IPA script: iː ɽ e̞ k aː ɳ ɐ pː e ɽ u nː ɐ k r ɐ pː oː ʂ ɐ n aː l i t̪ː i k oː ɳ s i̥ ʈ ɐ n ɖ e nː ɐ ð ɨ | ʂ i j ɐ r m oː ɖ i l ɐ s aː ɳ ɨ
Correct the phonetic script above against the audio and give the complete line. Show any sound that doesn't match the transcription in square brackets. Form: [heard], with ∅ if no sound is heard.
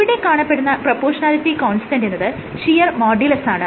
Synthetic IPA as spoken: [i] ɽ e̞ k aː ɳ ɐ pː e ɽ u nː ɐ [p] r ɐ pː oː ʂ ɐ n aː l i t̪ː i k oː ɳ s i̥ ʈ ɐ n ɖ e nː ɐ ð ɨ | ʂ i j ɐ r m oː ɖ i l ɐ s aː ɳ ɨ